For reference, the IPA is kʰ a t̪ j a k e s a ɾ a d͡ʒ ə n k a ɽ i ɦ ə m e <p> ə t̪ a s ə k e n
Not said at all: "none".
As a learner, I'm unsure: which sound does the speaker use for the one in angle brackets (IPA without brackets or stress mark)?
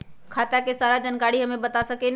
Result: b